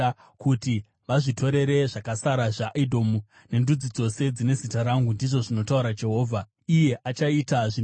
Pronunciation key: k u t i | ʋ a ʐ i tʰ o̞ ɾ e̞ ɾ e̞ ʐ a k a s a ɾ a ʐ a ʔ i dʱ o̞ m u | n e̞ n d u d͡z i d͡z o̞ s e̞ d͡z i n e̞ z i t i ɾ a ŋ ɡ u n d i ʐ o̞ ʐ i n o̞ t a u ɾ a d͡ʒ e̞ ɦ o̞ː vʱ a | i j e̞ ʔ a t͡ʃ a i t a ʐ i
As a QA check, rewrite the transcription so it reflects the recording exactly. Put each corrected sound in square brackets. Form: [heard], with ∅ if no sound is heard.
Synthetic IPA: k u t i | ʋ a ʐ i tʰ o̞ ɾ e̞ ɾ e̞ ʐ a k a s a ɾ a ʐ a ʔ i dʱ o̞ m u | n e̞ n d u d͡z i d͡z o̞ s e̞ d͡z i n e̞ z i t [a] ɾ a ŋ ɡ u n d i ʐ o̞ ʐ i n o̞ t a u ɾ a d͡ʒ e̞ ɦ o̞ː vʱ a | i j e̞ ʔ a t͡ʃ a i t a ʐ i